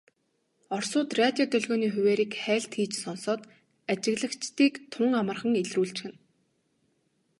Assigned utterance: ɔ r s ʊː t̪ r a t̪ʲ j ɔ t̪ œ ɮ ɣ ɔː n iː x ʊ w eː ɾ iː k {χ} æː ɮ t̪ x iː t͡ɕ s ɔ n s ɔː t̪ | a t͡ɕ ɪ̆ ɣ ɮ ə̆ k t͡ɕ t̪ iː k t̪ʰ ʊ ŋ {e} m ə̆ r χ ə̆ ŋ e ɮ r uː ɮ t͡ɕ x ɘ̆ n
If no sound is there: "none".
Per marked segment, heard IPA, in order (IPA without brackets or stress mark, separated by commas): χ, a